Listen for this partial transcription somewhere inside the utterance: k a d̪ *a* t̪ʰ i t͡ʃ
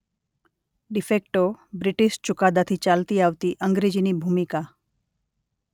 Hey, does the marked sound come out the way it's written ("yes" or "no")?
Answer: yes